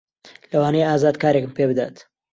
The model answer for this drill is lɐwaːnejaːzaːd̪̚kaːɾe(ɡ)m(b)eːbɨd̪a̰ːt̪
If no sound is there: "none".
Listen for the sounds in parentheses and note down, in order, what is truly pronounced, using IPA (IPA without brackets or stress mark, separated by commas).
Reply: k, p